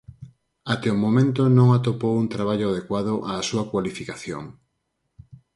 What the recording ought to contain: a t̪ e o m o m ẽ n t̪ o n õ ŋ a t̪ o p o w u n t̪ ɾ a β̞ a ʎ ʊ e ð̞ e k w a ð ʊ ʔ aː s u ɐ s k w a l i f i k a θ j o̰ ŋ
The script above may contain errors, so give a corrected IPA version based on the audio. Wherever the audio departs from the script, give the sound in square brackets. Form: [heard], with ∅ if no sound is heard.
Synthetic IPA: a t̪ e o m o m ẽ n t̪ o n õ ŋ a t̪ o p o w u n t̪ ɾ a β̞ a ʎ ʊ [a] ð̞ e k w a ð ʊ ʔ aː s u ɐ [∅] k w a l i f i k a θ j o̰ ŋ